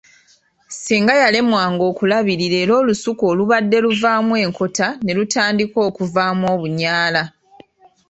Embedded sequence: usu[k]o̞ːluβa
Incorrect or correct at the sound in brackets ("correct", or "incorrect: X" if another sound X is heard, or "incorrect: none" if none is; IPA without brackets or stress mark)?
correct